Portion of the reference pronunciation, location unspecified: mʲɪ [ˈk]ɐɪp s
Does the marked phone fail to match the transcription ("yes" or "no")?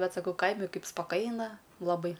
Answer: no